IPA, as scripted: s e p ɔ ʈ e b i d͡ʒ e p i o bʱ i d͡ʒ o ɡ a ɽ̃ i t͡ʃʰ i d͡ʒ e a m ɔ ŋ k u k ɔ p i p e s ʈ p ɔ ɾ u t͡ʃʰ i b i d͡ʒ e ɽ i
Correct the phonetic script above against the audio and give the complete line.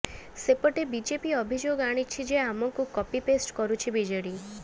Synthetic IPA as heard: s e p ɔ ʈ e b i d͡ʒ e p i ɔ bʱ i d͡ʒ o ɡ a ɽ̃ i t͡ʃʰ i d͡ʒ e a m ɔ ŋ k u k ɔ p i p e s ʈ k ɔ ɾ u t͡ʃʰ i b i d͡ʒ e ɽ i